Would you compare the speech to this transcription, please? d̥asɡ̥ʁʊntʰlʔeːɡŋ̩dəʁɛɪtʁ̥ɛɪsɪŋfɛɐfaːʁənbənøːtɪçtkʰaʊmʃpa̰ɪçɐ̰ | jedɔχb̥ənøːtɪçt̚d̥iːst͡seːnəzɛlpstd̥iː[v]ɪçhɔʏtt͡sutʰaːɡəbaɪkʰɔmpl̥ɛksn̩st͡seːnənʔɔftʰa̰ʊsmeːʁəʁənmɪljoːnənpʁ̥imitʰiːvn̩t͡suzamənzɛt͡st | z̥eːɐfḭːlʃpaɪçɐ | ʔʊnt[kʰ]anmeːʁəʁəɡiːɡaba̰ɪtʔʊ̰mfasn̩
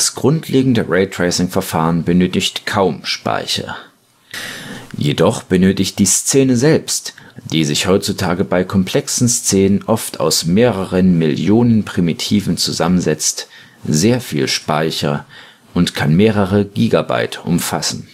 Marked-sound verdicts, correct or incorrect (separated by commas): incorrect, correct